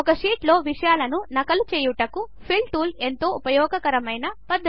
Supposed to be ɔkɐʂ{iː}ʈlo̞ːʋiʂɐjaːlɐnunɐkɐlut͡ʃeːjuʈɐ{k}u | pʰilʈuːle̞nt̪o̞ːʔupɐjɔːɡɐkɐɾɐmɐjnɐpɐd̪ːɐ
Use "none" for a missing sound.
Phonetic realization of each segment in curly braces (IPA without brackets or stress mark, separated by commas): iː, k